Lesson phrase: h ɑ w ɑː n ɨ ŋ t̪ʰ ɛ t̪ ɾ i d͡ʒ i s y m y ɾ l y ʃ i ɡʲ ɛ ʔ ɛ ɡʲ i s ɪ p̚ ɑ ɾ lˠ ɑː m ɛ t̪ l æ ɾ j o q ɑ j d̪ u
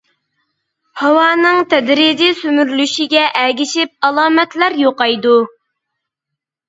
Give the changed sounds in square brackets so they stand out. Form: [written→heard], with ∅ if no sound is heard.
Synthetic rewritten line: h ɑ w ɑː n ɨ ŋ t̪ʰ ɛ [t̪→d̪] ɾ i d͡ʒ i s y m y ɾ l y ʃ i ɡʲ ɛ ʔ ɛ ɡʲ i [s→ʃ] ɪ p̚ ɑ [ɾ→∅] lˠ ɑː m ɛ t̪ l æ ɾ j o q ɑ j d̪ u